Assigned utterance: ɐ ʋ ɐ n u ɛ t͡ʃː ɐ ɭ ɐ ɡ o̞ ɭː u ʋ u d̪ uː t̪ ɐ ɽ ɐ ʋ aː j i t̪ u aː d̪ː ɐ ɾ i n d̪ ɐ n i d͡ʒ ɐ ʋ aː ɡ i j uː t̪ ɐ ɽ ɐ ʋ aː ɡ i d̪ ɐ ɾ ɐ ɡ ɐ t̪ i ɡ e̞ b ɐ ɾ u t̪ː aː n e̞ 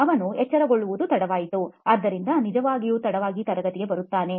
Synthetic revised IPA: ɐ ʋ ɐ n u ɛ t͡ʃː ɐ ɾ ɐ ɡ o̞ ɭː u ʋ u d̪ u t̪ ɐ ɽ ɐ ʋ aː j i t̪ u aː d̪ː ɐ ɾ i n d̪ ɐ n i d͡ʒ ɐ ʋ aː ɡ i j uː t̪ ɐ ɽ ɐ ʋ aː ɡ i t̪ ɐ ɾ ɐ ɡ ɐ t̪ i ɡ e̞ b ɐ ɾ u t̪ː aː n e̞